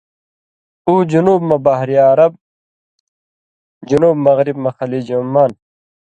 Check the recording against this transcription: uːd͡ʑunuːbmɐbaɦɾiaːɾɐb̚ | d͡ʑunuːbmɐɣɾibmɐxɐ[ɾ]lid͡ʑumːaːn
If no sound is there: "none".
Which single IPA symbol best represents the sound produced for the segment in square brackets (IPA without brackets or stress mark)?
none